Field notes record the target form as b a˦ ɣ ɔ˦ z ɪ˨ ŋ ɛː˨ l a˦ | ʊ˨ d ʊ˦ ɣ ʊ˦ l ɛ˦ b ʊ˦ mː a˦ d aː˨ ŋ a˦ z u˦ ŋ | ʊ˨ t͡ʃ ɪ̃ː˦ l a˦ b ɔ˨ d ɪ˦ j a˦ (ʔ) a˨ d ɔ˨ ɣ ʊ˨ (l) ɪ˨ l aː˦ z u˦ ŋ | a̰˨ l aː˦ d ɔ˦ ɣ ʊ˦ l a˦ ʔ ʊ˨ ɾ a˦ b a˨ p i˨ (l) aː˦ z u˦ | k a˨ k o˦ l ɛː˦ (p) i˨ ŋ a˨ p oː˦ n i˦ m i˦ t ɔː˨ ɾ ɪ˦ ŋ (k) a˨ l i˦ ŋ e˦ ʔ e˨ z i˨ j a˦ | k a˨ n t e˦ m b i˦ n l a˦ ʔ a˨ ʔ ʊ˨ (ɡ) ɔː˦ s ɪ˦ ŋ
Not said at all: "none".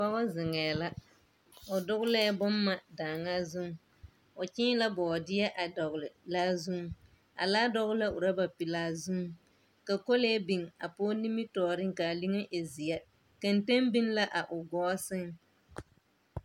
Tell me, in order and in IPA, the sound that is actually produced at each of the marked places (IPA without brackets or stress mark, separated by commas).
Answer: ʔ, l, l, b, k, ɡ